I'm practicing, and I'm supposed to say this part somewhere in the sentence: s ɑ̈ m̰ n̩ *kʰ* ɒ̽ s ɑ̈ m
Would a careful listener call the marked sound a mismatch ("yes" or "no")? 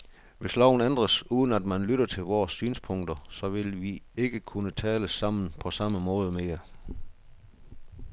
yes